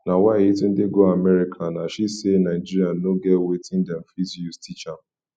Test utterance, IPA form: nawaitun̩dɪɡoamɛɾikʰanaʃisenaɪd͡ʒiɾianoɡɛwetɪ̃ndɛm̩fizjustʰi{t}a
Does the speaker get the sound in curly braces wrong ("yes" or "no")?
yes